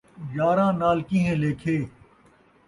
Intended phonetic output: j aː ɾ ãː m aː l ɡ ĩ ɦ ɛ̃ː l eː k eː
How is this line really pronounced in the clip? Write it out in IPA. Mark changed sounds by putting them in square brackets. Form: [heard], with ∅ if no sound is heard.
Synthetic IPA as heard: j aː ɾ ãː [n] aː l [k] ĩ ɦ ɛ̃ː l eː [kʰ] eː